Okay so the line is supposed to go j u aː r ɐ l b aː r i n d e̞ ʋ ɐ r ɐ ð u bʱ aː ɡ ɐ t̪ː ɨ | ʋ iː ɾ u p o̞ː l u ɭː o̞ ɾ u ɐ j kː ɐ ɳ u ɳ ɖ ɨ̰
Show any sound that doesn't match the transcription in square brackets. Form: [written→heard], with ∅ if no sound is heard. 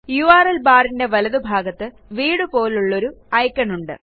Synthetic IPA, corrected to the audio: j u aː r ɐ l b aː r i n d e̞ ʋ ɐ [r→l] ɐ ð u bʱ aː ɡ ɐ t̪ː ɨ | ʋ iː [ɾ→ɽ] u p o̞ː l u ɭː o̞ ɾ u ɐ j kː ɐ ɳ u ɳ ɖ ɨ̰

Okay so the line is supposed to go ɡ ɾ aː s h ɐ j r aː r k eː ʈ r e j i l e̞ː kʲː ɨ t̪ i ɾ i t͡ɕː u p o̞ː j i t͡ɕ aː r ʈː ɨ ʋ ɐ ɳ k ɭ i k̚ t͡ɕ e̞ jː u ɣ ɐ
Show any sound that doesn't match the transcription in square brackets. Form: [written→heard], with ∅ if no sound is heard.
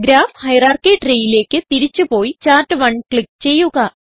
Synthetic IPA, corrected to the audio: ɡ ɾ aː [s→f] h ɐ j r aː r k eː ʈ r e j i l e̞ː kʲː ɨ t̪ i ɾ i t͡ɕː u p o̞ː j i t͡ɕ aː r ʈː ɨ ʋ ɐ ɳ k ɭ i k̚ t͡ɕ e̞ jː u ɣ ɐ

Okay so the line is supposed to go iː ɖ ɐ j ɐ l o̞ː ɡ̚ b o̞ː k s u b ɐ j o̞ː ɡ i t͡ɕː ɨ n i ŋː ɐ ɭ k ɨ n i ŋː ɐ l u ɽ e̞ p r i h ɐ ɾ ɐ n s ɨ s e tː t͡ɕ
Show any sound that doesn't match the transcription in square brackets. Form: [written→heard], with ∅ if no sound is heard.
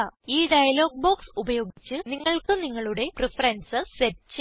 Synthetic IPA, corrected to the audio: iː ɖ ɐ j ɐ l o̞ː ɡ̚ b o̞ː k s u b ɐ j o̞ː ɡ i t͡ɕː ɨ n i ŋː ɐ ɭ k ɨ n i ŋː ɐ [l→ɭ] u ɽ e̞ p r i [h→f] ɐ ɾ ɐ n s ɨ s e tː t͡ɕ

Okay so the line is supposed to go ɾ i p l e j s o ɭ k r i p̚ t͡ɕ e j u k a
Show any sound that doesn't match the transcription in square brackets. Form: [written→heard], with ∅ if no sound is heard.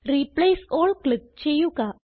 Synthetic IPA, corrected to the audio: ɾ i p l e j s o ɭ k [r→l] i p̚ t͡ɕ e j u k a

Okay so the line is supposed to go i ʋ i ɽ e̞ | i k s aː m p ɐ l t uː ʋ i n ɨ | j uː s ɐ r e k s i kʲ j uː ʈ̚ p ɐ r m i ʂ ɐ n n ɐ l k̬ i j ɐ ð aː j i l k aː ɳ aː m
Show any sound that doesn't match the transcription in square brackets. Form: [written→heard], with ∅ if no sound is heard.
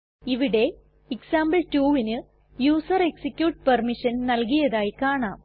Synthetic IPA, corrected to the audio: i ʋ i ɽ e̞ | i k s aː m [p→b] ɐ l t uː ʋ i n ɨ | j uː s ɐ r e k s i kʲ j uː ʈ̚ p ɐ r m i ʂ ɐ n n ɐ l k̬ i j ɐ ð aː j i [l→∅] k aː ɳ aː m

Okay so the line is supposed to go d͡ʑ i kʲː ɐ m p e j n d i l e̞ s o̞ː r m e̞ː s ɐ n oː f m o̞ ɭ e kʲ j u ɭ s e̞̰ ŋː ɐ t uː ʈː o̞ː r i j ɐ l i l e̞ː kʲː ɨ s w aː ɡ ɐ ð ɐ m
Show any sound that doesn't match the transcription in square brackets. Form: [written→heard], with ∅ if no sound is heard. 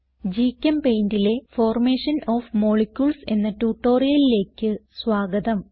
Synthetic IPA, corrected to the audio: d͡ʑ i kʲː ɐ m p e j n d i l e̞ [s→f] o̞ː r m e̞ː [s→ʂ] ɐ n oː f m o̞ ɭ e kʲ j u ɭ s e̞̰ [ŋː→nː] ɐ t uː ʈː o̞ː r i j ɐ l i l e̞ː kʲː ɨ s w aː ɡ ɐ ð ɐ m

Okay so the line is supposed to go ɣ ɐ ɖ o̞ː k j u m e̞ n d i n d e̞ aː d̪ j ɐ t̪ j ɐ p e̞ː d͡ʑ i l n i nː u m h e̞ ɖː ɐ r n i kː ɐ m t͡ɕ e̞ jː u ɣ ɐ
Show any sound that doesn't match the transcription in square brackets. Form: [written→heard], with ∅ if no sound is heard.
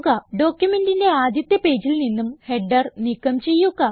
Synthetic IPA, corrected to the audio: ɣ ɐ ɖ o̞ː k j u m e̞ n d i n d e̞ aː d̪ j ɐ t̪ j ɐ p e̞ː d͡ʑ i l n i nː u m h e̞ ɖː ɐ r n i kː ɐ m t͡ɕ e̞ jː u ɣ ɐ

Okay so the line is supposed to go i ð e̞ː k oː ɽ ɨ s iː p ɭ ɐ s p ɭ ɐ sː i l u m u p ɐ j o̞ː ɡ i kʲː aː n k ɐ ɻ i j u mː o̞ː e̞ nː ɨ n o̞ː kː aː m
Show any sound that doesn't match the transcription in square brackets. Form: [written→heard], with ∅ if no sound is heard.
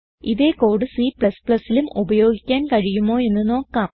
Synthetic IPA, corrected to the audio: i ð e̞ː k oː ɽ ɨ s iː p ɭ ɐ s p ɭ ɐ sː i l u m u [p→b] ɐ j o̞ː ɡ i kʲː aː n k ɐ ɻ i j u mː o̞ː e̞ nː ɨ n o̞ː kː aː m

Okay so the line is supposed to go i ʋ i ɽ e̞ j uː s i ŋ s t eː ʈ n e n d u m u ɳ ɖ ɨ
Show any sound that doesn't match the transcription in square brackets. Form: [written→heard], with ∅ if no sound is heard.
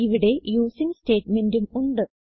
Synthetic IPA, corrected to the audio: i ʋ i ɽ e̞ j uː s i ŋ s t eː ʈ [n→m] e n d u m u ɳ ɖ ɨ

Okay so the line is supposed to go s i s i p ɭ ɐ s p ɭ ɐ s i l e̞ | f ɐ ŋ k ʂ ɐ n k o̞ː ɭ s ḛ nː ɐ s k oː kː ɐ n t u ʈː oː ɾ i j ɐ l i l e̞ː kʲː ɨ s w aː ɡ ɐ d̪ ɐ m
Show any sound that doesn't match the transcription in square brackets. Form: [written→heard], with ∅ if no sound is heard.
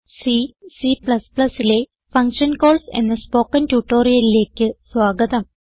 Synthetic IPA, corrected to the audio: s i s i p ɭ ɐ s p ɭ ɐ s i l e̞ | f ɐ ŋ k ʂ ɐ n k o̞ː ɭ s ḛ nː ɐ s [k→p] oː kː ɐ n t u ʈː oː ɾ i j ɐ l i l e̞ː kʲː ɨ s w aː ɡ ɐ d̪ ɐ m

